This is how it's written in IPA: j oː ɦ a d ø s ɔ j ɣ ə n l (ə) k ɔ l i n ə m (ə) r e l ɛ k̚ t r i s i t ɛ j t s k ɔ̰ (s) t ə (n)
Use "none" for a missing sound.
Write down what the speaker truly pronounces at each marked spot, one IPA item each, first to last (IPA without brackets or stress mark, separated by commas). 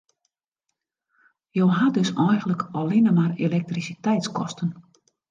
ə, a, s, n